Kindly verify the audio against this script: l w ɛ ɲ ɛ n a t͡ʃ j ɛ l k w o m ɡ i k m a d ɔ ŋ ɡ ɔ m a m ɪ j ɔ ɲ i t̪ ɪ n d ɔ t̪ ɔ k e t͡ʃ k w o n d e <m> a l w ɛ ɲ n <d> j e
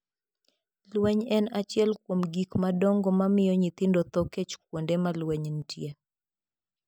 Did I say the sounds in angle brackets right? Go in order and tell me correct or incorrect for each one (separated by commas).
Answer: correct, incorrect